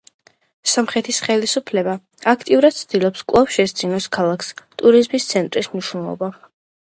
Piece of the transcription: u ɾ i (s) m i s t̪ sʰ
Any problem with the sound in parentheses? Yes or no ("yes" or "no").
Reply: yes